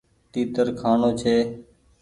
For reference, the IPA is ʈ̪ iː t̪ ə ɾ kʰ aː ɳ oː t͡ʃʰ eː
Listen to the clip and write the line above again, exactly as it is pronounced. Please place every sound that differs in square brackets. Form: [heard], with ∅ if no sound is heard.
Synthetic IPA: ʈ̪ iː t̪ ə ɾ kʰ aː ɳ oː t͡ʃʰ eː